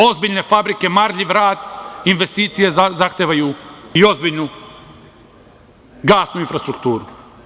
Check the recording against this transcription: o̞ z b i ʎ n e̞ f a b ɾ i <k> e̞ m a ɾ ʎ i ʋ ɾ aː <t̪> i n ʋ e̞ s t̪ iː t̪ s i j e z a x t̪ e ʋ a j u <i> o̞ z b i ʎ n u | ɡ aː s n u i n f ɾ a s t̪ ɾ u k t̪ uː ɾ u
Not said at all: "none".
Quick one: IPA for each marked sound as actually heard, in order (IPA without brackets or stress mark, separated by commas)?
k, d̪, i